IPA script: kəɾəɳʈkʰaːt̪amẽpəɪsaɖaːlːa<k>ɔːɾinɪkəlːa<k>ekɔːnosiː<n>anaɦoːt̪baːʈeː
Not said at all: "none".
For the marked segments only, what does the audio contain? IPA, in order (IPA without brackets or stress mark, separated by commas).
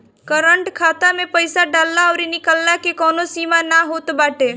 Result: none, k, m